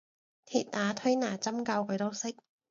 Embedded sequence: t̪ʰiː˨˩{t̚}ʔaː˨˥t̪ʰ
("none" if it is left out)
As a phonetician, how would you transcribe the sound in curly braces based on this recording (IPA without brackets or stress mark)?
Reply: t̚